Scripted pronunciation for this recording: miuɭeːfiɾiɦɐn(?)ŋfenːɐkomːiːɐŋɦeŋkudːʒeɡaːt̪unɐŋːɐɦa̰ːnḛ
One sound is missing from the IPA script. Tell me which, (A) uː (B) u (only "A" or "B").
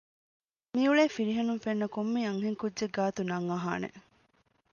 B